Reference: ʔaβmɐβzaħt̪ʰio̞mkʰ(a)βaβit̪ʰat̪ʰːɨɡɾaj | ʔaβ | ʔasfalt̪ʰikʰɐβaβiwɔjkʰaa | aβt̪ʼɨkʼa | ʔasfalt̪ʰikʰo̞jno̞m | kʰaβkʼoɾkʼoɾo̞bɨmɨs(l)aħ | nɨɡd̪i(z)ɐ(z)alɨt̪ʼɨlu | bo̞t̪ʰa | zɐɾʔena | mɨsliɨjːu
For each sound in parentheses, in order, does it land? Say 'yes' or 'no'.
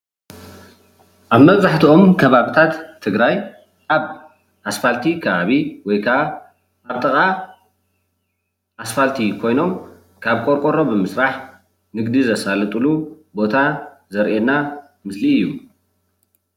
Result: no, no, yes, no

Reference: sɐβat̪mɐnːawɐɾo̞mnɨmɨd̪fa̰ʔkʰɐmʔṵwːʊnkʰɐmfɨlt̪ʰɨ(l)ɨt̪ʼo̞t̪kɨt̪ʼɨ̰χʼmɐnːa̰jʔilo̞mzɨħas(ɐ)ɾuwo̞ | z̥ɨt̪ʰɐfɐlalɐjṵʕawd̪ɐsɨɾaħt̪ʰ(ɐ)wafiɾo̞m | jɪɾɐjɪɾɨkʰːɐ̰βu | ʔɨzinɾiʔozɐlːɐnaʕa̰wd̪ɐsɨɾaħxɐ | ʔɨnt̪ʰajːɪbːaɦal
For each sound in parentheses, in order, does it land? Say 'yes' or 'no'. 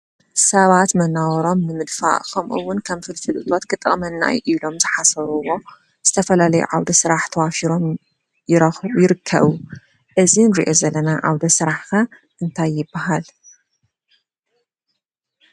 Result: yes, yes, yes

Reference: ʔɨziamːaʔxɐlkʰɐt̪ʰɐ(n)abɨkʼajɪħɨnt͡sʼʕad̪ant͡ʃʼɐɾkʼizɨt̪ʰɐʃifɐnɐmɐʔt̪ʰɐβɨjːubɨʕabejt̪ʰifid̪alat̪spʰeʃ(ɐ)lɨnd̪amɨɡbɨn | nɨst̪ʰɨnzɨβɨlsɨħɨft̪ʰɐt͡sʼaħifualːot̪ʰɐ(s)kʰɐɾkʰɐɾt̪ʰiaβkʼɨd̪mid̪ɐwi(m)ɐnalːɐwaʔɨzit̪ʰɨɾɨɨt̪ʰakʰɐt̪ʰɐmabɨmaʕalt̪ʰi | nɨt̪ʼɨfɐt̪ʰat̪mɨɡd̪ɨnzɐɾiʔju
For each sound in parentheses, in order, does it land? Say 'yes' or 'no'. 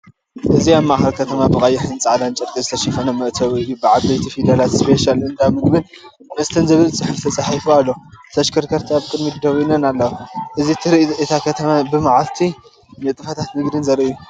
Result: no, no, no, no

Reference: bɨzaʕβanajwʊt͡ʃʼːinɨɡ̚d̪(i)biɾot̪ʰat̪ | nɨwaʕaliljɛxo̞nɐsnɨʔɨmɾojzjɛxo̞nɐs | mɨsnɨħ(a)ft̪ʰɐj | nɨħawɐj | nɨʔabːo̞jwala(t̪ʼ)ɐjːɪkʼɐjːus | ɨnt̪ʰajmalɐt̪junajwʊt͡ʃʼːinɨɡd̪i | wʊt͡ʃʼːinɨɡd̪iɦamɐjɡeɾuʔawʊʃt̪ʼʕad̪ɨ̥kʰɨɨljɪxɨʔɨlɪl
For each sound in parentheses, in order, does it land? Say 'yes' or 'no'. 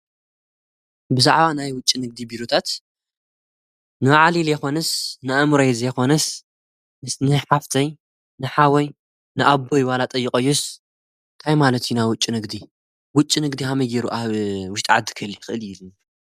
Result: yes, yes, yes

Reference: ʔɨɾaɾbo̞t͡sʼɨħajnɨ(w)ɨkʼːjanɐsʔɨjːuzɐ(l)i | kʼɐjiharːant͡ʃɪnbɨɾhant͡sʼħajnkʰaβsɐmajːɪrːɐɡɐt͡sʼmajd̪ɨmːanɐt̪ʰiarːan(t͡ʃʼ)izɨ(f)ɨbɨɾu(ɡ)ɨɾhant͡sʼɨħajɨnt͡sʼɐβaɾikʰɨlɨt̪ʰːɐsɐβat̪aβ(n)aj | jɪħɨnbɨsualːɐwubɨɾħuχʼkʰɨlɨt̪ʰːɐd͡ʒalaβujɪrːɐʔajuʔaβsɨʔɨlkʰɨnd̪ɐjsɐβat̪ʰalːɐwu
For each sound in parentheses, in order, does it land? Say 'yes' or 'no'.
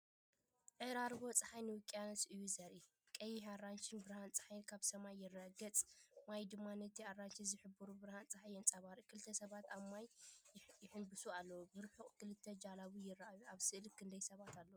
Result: yes, no, no, no, no, no

